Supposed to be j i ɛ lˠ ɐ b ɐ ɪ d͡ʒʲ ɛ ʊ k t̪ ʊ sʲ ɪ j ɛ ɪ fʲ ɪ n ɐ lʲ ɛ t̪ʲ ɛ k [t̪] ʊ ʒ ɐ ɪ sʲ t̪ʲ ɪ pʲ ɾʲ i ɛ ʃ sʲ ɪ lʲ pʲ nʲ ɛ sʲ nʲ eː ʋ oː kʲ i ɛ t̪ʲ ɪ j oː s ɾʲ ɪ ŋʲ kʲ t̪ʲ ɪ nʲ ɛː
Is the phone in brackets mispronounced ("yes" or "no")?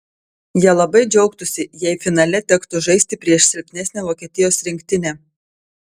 no